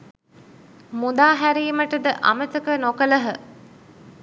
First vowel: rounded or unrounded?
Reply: rounded